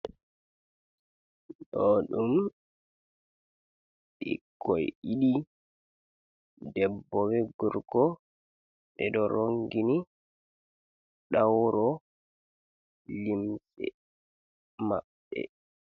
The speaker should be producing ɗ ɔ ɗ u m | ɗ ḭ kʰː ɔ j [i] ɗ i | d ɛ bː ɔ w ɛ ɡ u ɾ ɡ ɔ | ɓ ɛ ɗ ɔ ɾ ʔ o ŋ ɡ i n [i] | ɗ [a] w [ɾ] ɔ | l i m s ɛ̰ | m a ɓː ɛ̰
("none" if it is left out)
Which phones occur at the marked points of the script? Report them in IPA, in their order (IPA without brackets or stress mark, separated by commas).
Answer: i, i, a, ɾ